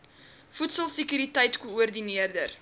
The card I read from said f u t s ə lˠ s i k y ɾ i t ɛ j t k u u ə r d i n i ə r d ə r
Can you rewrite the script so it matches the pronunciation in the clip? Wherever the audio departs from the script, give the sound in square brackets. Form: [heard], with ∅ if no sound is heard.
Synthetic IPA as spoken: f u t s ə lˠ s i k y ɾ i t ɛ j t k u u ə r d i n i ə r d ə r